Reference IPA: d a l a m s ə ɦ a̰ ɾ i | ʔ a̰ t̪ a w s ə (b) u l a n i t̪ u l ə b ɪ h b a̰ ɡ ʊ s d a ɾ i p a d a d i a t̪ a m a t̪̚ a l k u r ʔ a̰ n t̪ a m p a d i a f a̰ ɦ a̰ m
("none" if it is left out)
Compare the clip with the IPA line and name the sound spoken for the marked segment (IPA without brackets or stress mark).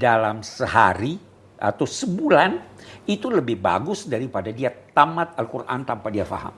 b